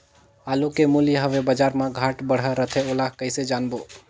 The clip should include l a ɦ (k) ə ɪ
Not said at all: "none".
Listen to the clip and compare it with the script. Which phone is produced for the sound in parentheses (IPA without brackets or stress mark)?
k